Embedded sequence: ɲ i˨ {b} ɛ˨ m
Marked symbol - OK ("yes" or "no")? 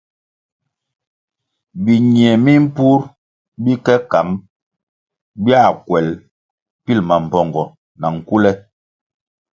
no